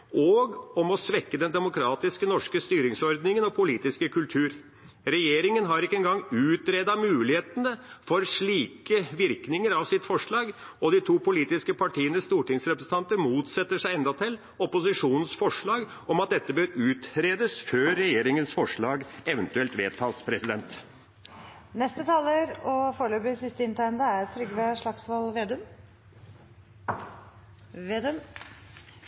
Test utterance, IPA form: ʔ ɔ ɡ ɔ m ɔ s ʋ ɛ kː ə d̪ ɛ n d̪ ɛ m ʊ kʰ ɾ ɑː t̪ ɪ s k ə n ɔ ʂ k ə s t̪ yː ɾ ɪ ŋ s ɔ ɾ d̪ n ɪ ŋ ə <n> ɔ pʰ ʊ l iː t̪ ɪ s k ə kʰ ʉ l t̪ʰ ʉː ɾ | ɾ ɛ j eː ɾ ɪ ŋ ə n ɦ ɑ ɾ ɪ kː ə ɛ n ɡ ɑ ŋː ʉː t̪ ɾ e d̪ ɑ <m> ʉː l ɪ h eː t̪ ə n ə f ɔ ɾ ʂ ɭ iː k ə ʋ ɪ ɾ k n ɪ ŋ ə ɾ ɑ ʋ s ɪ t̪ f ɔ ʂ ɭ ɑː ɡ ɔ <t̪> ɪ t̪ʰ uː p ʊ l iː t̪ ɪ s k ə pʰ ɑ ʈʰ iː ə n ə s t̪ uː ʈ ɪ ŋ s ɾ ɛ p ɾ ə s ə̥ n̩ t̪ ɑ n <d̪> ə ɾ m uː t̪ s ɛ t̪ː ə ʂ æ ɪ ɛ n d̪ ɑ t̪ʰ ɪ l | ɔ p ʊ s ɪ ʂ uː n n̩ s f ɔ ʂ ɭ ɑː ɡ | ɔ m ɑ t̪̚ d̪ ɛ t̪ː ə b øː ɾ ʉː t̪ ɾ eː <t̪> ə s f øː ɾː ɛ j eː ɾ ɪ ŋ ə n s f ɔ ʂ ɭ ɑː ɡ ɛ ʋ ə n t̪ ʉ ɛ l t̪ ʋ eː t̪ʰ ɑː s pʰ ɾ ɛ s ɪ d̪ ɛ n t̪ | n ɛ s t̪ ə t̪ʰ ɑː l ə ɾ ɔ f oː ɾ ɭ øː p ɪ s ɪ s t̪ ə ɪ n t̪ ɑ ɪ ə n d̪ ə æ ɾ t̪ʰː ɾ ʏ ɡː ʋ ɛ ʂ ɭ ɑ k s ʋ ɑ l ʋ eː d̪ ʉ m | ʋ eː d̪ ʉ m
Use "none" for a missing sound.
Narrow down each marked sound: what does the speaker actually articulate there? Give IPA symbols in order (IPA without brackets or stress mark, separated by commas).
n, m, d̪, t̪, d̪